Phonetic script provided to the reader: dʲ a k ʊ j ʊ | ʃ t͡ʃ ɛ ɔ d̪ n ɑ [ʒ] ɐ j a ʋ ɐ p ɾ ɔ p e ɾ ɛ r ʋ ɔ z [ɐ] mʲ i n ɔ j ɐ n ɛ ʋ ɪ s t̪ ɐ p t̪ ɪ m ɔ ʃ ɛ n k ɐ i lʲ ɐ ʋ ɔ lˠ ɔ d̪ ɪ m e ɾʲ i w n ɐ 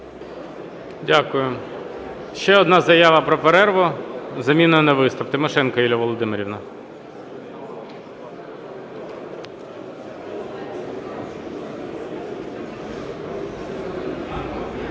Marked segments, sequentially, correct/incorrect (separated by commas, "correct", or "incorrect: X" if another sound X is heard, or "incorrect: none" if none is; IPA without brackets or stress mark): incorrect: z, correct